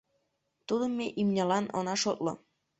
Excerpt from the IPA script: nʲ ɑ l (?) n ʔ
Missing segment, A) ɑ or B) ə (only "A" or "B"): A